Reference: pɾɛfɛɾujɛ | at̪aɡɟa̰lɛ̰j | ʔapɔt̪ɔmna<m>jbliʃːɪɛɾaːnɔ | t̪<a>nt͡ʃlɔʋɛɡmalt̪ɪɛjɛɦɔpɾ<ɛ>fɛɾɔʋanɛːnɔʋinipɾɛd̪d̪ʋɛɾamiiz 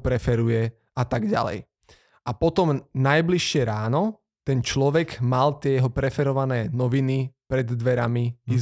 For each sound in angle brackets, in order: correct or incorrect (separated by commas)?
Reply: incorrect, incorrect, correct